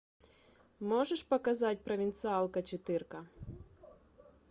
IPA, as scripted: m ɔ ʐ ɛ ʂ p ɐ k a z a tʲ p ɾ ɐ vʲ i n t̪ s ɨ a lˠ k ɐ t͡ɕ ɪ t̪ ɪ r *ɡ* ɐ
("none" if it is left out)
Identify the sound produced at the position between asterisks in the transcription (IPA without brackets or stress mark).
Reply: k